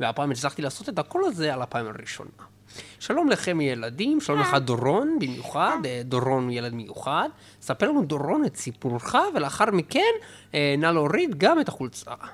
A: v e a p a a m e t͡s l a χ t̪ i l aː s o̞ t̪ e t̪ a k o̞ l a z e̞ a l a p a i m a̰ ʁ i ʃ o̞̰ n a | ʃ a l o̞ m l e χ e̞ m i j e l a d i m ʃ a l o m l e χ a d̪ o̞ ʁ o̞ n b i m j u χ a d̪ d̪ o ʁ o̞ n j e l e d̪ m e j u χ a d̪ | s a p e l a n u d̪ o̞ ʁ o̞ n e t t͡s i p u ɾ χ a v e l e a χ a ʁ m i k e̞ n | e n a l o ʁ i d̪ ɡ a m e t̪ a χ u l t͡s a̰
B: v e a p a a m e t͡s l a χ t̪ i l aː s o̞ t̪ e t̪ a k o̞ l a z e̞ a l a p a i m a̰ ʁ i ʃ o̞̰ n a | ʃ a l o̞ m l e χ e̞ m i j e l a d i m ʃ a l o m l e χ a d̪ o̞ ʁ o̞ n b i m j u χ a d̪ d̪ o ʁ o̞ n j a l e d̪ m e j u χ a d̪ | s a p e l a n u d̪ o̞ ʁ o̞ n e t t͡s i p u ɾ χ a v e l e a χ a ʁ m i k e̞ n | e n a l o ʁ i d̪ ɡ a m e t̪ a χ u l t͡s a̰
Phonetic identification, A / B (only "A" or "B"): A